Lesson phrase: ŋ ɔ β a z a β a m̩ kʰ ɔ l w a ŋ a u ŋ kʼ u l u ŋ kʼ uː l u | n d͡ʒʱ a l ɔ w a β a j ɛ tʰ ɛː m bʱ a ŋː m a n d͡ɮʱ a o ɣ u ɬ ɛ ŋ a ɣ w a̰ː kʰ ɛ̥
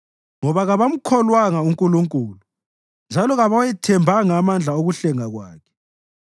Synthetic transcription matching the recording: ŋ ɔ β a ɣ a β a m̩ kʰ ɔ l w a ŋ a u ŋ kʼ u l u ŋ kʼ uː l u | n d͡ʒʱ a l ɔ ɣ a β a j ɛ tʰ ɛ m bʱ a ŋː m a n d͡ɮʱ a o ɣ u ɬ ɛ ŋ a ɣ w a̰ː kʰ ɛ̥